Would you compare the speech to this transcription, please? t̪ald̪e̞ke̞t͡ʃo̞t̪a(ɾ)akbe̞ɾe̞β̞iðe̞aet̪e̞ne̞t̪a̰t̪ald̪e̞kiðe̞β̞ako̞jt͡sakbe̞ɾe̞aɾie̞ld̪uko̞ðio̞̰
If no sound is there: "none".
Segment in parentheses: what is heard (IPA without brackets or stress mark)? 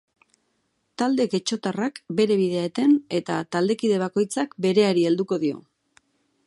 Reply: r